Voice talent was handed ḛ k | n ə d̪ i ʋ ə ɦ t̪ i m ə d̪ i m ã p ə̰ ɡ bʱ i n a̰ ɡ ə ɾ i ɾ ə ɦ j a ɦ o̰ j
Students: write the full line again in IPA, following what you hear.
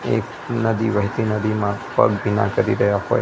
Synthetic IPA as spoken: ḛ k | n ə d̪ i ʋ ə ɦ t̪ i n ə d̪ i m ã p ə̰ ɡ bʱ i n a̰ k ə ɾ i ɾ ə ɦ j a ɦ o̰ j